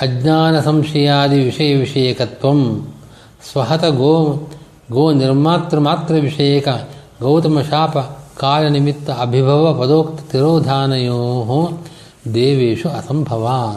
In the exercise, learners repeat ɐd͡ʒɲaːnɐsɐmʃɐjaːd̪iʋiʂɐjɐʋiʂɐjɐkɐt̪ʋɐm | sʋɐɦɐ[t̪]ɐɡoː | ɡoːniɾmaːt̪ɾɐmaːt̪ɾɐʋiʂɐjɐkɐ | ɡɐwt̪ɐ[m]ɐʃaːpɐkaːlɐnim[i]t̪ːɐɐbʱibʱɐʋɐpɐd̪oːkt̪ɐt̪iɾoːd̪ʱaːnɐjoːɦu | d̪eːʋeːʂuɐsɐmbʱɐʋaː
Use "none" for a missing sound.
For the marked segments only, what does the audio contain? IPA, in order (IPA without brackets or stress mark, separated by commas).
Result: t̪, m, i